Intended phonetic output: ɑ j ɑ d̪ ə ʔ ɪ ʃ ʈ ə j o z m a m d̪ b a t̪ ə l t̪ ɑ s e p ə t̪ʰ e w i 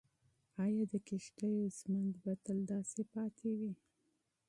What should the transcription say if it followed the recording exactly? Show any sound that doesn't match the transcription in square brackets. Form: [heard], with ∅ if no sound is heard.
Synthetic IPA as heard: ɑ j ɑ d̪ ə [k] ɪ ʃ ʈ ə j o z m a [n] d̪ b a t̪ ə l [d̪] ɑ s e p [ɑ] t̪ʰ e w i